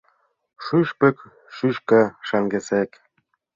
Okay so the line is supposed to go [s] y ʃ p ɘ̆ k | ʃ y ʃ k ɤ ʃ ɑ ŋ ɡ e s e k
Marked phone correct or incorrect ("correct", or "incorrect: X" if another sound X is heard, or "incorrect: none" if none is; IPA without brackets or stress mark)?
incorrect: ʃ